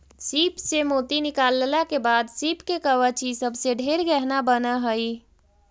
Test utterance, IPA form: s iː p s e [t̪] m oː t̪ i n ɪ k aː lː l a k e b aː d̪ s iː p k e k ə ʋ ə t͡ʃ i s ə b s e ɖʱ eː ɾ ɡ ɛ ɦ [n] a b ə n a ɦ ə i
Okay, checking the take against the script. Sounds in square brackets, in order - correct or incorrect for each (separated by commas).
incorrect, correct